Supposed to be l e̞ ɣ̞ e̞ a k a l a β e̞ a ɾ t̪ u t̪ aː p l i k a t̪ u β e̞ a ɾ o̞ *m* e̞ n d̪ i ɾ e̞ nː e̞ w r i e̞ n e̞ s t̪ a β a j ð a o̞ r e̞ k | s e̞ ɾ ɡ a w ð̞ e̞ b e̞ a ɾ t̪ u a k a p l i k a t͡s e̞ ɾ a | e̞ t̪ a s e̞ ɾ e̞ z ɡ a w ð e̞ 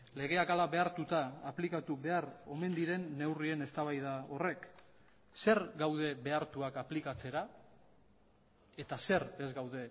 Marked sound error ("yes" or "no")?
no